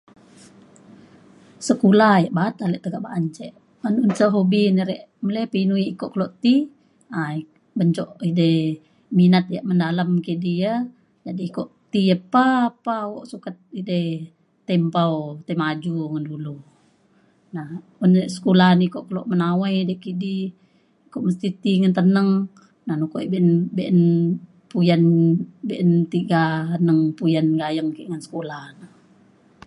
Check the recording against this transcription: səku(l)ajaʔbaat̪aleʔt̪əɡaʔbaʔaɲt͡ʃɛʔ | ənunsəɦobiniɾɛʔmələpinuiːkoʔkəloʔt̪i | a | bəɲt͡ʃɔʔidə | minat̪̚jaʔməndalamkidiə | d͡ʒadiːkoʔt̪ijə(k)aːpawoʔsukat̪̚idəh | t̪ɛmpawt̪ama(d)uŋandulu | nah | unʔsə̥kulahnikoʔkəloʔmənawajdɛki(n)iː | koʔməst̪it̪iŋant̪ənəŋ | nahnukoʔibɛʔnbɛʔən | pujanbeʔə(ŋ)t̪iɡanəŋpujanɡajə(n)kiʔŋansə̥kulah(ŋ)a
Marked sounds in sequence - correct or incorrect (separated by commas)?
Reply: correct, incorrect, incorrect, incorrect, incorrect, incorrect, incorrect